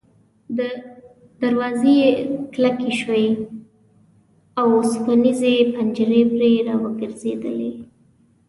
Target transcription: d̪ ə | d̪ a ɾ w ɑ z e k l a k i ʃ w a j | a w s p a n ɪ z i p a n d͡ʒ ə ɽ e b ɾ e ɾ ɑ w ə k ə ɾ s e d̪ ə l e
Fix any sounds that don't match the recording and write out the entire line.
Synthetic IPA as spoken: d̪ ə | d̪ a ɾ w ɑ z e k l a k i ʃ w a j | a w s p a n i z e p a n d͡ʒ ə ɾ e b ɾ e ɾ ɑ w ə ɡ ə ɾ z e d̪ ə l e